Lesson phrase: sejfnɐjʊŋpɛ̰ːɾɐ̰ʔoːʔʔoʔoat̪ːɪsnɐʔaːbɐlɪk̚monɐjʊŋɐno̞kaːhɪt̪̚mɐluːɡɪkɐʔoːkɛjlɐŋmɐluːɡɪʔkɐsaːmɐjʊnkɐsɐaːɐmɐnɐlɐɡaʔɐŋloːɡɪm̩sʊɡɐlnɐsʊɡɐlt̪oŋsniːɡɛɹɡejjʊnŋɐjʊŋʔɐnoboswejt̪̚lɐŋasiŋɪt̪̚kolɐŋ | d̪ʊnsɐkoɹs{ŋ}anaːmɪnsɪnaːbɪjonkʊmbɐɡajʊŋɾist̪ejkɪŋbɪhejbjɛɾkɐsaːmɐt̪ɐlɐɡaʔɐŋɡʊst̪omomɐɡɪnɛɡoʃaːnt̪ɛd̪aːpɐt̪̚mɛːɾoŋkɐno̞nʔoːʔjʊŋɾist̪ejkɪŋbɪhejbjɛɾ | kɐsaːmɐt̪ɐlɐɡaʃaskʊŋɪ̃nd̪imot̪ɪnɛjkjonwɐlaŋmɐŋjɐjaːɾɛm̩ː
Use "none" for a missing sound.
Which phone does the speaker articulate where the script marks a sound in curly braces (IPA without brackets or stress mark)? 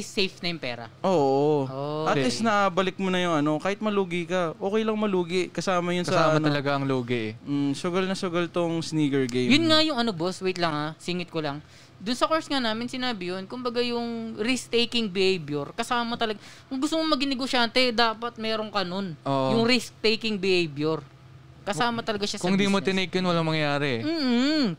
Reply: ŋ